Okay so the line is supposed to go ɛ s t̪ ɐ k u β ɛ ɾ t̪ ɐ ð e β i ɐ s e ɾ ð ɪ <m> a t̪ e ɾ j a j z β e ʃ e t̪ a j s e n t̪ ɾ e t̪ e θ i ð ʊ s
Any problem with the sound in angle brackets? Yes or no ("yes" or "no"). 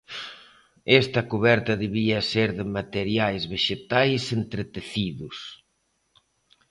no